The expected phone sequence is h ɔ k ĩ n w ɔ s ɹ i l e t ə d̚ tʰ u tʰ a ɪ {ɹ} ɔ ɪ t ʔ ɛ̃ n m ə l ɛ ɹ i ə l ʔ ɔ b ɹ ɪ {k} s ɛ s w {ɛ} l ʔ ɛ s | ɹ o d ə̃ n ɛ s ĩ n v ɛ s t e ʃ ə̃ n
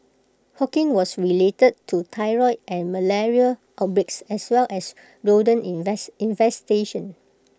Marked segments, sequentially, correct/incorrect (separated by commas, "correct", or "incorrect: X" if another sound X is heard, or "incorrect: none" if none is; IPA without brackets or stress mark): correct, correct, correct